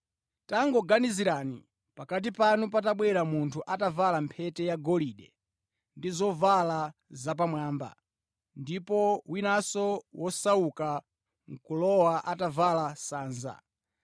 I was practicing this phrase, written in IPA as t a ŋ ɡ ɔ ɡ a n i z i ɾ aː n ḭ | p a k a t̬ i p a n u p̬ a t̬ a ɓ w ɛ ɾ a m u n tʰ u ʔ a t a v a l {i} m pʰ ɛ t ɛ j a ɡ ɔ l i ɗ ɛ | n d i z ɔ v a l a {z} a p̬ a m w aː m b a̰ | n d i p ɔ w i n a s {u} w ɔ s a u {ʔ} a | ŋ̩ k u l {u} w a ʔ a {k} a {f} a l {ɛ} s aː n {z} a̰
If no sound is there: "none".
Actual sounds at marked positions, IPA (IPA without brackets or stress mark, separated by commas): a, z, ɔ, k, ɔ, t, v, a, z